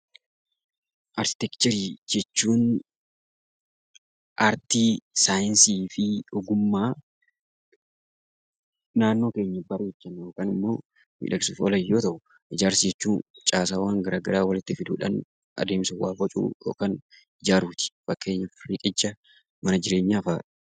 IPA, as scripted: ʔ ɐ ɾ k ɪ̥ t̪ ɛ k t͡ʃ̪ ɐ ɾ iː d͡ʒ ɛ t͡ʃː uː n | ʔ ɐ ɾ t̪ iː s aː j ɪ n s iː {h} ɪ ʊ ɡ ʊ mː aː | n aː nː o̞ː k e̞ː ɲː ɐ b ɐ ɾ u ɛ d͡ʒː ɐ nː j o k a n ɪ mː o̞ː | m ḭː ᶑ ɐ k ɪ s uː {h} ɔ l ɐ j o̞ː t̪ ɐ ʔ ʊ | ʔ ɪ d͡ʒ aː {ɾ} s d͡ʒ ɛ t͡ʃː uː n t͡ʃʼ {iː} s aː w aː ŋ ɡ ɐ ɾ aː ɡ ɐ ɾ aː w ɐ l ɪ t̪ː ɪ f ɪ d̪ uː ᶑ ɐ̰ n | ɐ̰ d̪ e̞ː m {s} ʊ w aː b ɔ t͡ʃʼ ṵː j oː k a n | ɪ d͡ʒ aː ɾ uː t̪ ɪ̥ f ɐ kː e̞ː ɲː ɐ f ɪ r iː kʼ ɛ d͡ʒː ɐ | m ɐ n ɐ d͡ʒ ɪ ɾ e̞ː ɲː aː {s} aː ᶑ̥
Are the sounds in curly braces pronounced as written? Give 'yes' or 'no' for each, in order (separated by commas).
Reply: no, no, yes, no, yes, no